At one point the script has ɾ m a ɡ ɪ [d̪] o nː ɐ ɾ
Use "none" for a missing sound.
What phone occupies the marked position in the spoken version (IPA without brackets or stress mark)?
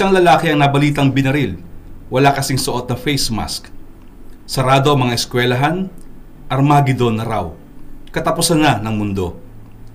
d̪